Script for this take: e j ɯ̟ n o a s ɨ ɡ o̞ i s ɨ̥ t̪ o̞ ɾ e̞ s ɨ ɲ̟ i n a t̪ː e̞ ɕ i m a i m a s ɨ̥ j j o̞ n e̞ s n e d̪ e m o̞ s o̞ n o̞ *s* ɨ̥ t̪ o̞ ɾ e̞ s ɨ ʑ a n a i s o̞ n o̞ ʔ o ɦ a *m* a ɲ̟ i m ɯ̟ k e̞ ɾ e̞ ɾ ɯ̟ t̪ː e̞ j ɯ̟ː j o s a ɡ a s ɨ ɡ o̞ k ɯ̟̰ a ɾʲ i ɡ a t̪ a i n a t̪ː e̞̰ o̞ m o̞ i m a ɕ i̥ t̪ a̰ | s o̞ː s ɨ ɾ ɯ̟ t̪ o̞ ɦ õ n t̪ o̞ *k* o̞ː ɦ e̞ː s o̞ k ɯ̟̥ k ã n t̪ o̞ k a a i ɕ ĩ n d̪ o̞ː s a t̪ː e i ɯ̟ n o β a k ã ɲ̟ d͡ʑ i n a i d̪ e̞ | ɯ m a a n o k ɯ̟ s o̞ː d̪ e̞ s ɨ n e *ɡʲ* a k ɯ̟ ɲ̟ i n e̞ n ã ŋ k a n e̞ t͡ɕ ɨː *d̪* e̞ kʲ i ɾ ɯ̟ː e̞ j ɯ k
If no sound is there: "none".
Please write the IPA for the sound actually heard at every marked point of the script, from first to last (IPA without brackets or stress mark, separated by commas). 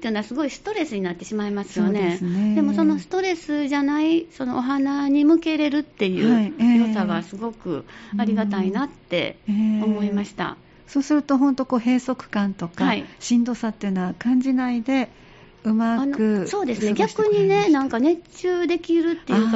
s, n, k, ɡʲ, d̪